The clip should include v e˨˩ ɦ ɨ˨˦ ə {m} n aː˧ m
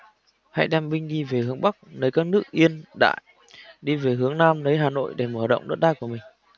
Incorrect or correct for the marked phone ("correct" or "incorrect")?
incorrect